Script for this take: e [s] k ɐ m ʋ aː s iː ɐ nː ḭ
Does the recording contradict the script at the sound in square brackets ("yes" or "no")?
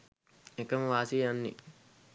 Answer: yes